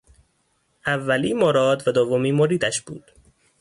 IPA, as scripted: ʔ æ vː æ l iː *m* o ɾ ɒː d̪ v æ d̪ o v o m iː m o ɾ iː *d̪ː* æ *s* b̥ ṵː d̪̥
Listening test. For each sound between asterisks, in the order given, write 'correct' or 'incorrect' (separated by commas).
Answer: correct, incorrect, incorrect